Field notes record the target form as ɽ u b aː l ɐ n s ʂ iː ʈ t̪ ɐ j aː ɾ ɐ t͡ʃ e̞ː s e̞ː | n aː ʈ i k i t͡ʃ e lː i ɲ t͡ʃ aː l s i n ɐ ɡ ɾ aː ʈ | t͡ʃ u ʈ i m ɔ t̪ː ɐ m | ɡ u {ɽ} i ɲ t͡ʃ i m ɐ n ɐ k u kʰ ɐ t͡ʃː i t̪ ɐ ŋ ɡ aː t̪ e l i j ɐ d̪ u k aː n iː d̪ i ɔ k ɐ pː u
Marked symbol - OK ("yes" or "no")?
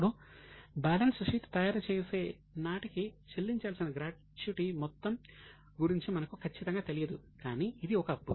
no